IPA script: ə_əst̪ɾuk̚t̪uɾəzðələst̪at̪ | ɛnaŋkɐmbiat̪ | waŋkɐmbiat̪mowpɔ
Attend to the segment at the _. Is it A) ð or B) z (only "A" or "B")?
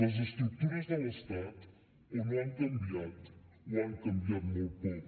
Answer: B